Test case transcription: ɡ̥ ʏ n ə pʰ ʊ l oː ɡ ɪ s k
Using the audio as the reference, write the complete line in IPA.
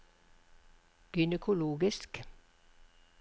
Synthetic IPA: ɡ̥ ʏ n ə kʰ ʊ l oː ɡ ɪ s k